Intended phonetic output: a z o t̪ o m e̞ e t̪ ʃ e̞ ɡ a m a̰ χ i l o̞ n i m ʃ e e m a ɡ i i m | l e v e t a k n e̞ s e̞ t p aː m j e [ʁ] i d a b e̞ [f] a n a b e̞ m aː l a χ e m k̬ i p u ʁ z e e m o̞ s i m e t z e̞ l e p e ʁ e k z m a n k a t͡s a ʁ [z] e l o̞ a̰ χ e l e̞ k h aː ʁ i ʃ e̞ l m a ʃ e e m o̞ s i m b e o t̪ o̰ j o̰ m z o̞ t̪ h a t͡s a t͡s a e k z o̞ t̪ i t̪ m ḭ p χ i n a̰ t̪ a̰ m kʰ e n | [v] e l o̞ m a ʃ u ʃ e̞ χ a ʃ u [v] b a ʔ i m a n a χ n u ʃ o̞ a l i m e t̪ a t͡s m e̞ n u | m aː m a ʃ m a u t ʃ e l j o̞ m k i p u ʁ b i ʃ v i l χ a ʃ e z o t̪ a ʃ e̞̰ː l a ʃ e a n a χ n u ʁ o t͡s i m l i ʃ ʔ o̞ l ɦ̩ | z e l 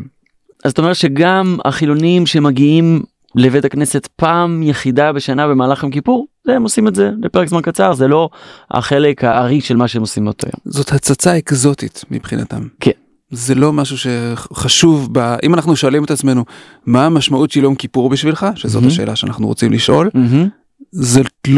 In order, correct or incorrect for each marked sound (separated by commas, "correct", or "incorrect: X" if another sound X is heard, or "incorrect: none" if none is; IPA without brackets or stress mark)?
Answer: incorrect: χ, incorrect: ʃ, correct, incorrect: z, correct